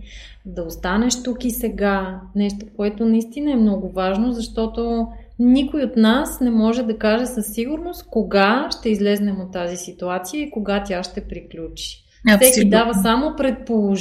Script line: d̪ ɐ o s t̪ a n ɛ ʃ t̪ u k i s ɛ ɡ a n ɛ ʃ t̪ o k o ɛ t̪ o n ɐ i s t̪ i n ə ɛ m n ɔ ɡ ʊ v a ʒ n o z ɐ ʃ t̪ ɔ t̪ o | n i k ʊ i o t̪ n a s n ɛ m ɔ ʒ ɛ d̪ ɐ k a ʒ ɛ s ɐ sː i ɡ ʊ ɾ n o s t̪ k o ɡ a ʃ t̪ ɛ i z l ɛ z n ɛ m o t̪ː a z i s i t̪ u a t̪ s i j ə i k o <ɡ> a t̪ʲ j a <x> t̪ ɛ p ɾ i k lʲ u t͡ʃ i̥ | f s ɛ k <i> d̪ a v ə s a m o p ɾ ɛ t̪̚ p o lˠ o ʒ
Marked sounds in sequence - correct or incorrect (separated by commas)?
correct, incorrect, correct